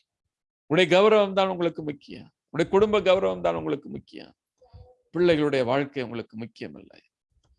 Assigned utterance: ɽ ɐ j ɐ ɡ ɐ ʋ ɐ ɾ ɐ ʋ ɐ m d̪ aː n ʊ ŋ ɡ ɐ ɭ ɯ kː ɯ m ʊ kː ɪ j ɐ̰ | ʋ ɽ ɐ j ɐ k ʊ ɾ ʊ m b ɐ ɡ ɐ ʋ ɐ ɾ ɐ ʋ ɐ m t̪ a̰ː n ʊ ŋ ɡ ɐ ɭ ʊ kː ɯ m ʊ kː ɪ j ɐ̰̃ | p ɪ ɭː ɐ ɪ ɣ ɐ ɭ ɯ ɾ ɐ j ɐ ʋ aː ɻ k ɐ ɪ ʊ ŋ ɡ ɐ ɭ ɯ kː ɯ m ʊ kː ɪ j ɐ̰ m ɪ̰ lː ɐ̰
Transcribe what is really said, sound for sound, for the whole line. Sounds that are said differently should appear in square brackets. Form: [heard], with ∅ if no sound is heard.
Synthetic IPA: ɽ ɐ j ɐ ɡ ɐ ʋ ɐ ɾ ɐ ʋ ɐ m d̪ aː n ʊ ŋ ɡ ɐ ɭ ɯ kː ɯ m ʊ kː ɪ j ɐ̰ | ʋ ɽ ɐ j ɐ k ʊ [ɽ] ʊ m b ɐ ɡ ɐ ʋ ɐ ɾ ɐ ʋ ɐ m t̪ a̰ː n ʊ ŋ ɡ ɐ ɭ [ɯ] kː ɯ m ʊ kː ɪ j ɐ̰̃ | p ɪ ɭː ɐ ɪ ɣ ɐ ɭ ɯ [ɽ] ɐ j ɐ ʋ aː ɻ k ɐ ɪ ʊ ŋ ɡ ɐ ɭ ɯ kː ɯ m ʊ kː ɪ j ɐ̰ m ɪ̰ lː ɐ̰